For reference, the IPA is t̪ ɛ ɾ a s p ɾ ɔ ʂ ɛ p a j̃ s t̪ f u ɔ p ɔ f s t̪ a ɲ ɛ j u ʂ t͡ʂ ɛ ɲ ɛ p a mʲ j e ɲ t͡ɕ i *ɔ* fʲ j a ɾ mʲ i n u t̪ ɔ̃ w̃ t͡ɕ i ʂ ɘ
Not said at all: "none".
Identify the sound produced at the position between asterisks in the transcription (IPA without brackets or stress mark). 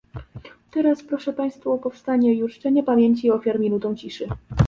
ɔ